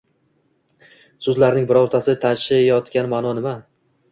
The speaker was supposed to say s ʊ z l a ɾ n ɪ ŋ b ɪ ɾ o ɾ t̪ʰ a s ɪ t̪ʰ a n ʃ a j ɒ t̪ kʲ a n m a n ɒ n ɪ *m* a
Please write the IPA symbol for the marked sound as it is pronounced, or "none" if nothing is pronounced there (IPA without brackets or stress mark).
m